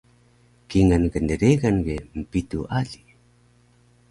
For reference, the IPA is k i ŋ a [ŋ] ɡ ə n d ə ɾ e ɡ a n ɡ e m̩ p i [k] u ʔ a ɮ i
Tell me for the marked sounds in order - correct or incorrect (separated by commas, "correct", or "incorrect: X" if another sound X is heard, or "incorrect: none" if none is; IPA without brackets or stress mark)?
incorrect: n, incorrect: t